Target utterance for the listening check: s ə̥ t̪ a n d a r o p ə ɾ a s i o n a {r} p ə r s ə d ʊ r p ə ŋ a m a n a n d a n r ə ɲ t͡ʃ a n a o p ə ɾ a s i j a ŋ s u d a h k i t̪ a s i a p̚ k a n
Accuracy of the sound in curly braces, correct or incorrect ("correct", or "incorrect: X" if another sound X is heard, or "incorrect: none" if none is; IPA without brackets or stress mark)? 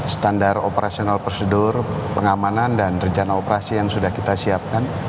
incorrect: l